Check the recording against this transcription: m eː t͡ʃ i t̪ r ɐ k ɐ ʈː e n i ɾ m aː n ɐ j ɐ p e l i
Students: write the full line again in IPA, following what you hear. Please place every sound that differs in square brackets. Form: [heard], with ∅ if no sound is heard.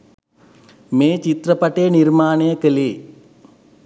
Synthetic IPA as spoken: m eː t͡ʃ i t̪ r ɐ [p] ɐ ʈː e n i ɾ m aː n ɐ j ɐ [k] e l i

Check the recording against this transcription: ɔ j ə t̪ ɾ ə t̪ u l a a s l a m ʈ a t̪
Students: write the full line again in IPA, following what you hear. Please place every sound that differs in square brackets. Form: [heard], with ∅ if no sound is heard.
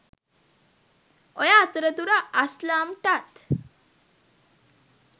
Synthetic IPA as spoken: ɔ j [a] t̪ ɾ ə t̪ u [ɾ] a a s l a m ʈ a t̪

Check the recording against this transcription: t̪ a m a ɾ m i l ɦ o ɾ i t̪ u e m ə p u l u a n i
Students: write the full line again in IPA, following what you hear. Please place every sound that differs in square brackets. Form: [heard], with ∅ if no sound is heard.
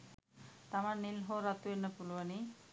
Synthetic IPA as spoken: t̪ a m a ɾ [n] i l ɦ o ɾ [a] t̪ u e [n] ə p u l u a n i

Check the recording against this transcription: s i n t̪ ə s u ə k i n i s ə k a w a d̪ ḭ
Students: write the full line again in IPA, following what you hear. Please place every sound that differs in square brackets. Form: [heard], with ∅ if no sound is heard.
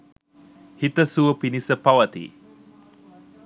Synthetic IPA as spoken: [h] i [∅] t̪ ə s u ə [p] i n i s ə [p] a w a [t̪] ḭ

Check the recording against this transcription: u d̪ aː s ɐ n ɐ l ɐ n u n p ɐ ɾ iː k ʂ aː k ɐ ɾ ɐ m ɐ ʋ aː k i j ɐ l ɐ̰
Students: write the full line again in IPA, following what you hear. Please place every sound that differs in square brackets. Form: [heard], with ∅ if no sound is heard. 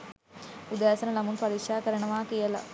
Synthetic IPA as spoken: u d̪ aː s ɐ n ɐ l ɐ [m] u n p ɐ ɾ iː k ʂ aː k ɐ ɾ ɐ [ɳ] ɐ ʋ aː k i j ɐ l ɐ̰

